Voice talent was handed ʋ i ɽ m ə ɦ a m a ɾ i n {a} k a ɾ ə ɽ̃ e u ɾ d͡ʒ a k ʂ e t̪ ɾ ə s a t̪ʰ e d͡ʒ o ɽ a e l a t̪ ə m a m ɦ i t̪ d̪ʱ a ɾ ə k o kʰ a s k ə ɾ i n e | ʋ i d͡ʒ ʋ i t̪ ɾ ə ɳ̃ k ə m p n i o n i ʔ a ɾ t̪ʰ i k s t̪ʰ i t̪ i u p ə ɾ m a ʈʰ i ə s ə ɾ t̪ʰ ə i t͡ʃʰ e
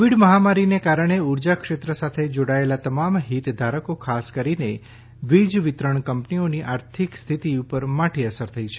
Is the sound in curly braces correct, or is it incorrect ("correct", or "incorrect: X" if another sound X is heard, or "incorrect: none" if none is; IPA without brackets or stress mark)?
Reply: incorrect: e